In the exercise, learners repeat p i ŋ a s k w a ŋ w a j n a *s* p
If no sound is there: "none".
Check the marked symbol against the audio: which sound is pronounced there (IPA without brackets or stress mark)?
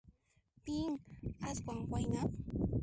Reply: none